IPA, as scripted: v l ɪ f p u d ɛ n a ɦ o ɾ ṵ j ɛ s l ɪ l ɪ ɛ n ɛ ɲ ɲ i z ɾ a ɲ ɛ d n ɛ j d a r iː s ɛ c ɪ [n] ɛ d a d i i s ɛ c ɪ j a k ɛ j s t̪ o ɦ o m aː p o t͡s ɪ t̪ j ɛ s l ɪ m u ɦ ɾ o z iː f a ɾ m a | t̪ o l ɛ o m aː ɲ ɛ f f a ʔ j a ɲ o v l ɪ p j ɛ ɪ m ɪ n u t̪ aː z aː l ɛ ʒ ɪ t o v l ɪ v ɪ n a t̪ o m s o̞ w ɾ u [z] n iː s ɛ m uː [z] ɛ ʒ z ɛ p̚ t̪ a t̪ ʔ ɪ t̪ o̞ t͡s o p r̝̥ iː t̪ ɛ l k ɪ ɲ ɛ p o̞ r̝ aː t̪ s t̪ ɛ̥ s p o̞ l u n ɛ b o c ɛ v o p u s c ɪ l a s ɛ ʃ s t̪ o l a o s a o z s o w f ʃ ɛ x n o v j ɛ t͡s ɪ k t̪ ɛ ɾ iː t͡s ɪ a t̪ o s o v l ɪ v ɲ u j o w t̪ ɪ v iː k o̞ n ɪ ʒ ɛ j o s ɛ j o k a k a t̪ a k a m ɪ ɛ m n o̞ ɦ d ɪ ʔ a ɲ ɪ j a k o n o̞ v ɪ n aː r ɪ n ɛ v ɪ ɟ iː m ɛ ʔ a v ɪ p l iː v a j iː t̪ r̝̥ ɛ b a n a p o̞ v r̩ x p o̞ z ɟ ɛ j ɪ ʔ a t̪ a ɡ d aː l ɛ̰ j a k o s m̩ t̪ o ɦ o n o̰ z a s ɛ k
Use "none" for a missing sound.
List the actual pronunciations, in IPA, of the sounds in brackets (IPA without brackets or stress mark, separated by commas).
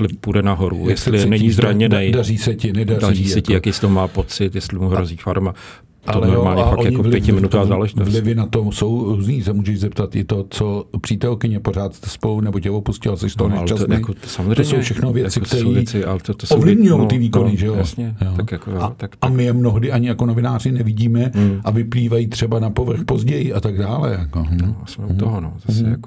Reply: n, z, ʒ